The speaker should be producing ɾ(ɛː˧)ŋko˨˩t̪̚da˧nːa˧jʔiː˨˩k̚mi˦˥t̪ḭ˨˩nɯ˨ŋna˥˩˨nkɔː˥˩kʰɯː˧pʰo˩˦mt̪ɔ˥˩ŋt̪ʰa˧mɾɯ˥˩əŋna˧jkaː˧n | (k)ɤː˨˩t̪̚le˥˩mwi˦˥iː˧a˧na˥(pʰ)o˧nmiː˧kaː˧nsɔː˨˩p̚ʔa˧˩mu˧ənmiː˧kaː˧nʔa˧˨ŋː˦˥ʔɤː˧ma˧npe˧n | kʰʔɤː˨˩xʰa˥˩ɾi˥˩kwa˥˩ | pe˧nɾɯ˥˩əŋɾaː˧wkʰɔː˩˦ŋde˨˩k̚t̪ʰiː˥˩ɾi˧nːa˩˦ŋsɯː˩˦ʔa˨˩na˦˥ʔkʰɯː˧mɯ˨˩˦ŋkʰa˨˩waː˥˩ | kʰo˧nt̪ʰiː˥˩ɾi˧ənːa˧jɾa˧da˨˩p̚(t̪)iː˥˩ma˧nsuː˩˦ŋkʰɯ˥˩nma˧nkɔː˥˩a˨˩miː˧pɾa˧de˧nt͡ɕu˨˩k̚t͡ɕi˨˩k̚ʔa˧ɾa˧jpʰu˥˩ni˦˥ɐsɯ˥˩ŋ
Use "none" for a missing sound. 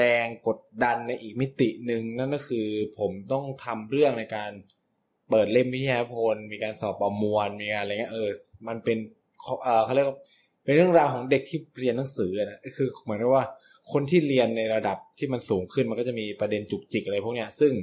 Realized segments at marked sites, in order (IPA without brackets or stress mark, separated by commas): ɛː˧, p, pʰ, t̪ʰ